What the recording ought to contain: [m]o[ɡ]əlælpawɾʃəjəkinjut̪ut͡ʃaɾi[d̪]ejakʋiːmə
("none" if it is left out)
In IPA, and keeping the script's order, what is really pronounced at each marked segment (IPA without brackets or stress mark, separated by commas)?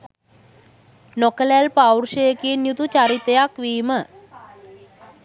n, k, t̪